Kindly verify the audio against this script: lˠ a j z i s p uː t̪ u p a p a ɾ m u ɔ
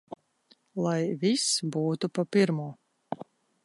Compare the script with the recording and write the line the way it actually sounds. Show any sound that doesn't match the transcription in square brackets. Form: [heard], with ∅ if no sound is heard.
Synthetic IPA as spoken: lˠ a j [v] i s [b] uː t̪ u p a p [i] ɾ m u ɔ